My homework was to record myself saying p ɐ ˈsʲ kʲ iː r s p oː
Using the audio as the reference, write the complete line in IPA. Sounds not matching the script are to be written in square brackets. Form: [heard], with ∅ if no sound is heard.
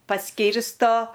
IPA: p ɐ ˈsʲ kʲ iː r s [t] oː